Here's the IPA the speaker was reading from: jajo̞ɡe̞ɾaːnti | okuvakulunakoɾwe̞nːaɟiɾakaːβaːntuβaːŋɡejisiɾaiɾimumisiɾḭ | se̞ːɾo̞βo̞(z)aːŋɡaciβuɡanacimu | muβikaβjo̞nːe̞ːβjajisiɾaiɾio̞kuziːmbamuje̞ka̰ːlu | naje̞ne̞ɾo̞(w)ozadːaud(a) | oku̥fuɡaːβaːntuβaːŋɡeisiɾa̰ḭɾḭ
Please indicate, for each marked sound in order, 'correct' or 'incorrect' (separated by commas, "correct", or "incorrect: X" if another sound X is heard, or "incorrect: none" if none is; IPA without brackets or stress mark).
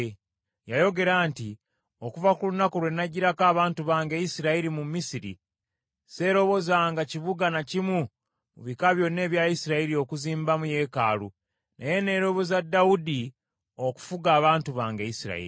correct, incorrect: β, incorrect: i